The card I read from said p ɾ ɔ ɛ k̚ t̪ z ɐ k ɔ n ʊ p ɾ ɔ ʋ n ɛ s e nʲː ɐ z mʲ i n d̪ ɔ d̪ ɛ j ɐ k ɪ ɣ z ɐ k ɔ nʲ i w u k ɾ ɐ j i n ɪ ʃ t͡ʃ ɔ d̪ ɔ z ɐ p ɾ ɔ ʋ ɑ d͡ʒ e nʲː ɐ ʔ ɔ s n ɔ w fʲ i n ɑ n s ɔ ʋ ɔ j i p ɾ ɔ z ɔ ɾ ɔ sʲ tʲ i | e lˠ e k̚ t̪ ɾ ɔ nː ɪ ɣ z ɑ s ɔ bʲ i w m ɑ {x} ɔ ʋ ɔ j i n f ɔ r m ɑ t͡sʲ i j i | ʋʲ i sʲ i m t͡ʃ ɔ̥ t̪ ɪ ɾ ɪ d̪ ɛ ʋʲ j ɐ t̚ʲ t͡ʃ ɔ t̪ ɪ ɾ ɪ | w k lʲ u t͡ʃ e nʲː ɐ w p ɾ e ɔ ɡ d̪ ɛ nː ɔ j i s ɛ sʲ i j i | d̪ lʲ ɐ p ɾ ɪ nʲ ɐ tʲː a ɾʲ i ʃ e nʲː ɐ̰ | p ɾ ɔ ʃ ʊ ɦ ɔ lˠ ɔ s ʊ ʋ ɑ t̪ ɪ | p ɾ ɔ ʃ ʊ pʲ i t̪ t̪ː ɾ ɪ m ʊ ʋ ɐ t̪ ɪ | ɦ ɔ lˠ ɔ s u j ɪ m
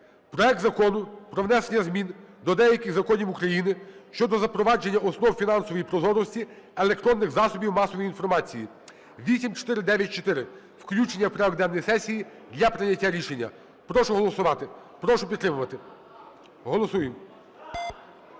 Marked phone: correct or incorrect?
incorrect: s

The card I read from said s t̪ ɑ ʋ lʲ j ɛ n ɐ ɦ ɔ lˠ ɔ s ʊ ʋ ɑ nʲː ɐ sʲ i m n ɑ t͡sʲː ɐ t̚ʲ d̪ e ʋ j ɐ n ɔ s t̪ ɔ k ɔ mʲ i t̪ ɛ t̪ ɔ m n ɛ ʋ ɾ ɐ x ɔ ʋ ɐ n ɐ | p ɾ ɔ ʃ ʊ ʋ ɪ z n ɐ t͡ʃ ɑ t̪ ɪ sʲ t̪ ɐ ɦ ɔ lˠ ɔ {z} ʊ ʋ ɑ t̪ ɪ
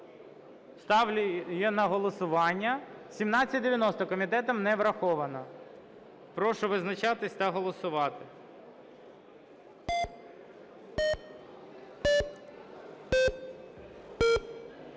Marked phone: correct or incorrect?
incorrect: s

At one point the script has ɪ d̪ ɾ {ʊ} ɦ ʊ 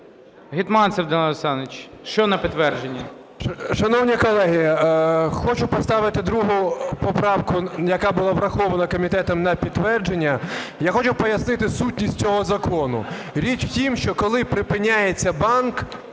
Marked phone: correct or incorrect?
incorrect: u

